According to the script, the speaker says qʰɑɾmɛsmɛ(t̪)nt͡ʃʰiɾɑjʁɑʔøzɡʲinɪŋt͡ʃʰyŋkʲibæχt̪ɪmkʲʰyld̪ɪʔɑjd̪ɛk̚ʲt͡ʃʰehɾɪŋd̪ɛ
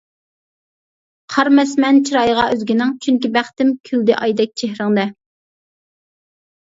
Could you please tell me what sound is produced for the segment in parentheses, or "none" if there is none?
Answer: none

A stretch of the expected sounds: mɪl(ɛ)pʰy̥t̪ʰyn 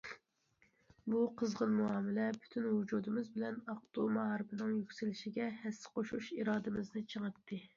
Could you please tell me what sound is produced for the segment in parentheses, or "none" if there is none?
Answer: ɛ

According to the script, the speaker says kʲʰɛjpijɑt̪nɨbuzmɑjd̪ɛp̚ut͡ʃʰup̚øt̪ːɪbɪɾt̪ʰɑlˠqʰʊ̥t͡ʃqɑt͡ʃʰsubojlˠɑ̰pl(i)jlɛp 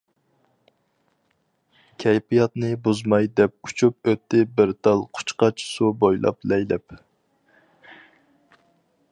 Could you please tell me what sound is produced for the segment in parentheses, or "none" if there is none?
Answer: ɛ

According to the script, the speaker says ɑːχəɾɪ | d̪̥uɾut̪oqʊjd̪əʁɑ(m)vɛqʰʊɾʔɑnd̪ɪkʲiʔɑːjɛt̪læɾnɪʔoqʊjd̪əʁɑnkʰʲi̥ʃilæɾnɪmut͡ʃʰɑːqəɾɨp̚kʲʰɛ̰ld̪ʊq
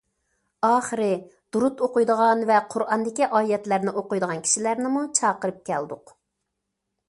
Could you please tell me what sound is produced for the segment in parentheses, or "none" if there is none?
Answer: n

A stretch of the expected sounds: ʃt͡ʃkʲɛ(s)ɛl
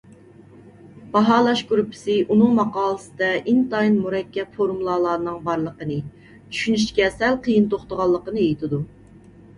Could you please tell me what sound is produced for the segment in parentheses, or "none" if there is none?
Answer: s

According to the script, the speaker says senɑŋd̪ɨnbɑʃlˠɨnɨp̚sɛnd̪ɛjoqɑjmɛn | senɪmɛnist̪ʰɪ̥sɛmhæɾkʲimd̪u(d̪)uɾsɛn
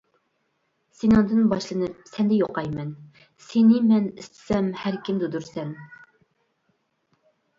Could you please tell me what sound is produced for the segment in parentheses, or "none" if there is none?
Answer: d̪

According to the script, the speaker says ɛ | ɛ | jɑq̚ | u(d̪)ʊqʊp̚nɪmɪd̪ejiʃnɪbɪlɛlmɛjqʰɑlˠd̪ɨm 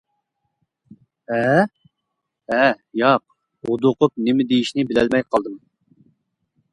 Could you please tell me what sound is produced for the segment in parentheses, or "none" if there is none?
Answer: d̪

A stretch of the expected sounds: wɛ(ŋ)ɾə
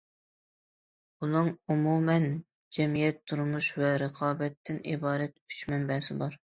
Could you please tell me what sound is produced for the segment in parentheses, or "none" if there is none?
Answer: none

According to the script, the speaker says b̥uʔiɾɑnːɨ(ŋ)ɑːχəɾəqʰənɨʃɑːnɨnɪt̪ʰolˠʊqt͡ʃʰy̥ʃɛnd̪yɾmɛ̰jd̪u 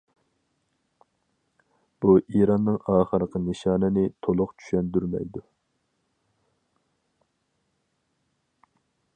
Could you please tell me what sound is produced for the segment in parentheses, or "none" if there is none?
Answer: ŋ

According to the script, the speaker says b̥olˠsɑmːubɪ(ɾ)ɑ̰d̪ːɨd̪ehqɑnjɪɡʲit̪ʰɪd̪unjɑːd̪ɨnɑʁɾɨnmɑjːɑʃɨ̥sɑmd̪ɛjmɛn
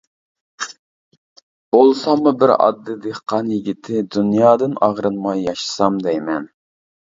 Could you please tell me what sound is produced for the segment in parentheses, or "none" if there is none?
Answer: ɾ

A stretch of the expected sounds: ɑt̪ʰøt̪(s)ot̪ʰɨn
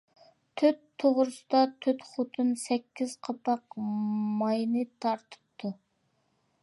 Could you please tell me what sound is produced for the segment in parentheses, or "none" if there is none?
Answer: χ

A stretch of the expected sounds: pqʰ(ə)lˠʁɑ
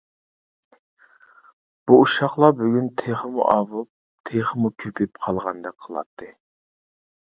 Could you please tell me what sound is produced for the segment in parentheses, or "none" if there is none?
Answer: ɑ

